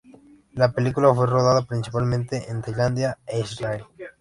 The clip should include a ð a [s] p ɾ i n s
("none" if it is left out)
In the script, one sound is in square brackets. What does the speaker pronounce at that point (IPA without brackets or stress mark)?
none